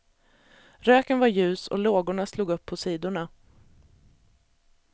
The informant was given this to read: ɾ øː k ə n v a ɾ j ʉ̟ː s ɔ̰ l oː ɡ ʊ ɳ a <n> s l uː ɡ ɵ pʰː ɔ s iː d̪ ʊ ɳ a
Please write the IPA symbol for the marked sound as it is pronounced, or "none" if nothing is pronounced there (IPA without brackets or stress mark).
none